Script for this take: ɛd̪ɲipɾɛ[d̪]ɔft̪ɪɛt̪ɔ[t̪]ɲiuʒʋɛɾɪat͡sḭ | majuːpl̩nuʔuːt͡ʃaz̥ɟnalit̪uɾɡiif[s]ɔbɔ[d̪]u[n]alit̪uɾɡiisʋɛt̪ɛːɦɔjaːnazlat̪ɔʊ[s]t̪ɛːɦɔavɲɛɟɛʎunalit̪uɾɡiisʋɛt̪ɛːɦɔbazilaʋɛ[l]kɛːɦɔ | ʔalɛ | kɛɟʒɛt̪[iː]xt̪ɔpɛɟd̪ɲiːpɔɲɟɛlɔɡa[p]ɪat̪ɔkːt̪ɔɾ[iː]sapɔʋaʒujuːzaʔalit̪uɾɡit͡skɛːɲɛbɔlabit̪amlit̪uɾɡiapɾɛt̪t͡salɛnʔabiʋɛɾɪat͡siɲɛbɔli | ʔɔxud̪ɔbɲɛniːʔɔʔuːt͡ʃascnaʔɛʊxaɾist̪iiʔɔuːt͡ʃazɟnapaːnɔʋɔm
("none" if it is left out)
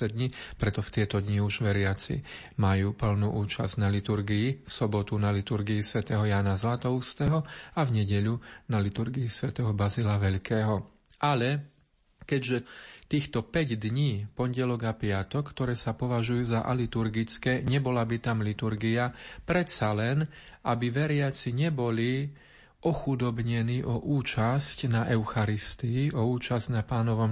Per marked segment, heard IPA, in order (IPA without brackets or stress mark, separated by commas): t̪, d̪, s, t̪, n, s, ʎ, iː, p, ɛː